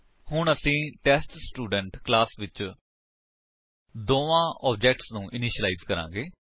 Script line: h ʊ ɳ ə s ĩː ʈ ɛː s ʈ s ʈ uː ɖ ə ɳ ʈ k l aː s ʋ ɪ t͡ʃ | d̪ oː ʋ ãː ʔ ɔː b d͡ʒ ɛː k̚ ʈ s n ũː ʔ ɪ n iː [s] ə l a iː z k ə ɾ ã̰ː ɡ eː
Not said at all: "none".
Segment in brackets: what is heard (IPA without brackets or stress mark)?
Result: ʃ